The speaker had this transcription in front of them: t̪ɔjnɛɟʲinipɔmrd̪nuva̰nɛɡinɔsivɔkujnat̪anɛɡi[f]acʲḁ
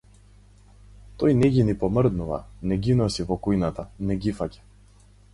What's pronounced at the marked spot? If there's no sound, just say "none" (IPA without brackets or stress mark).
f